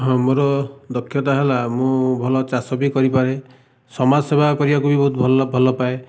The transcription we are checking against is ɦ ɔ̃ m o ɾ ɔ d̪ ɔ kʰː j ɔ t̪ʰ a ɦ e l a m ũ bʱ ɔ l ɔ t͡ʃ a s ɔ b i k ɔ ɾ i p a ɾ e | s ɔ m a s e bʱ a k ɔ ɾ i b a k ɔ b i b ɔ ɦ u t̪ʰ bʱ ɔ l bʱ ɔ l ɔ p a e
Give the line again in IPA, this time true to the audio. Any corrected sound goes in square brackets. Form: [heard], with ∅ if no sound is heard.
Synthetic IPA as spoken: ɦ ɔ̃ m o ɾ ɔ d̪ ɔ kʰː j ɔ [t̪] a ɦ e l a m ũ bʱ ɔ l ɔ t͡ʃ a s ɔ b i k ɔ ɾ i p a ɾ e | s ɔ m a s e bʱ a k ɔ ɾ i b a k [u] b i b ɔ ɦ u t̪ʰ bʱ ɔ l bʱ ɔ l ɔ p a e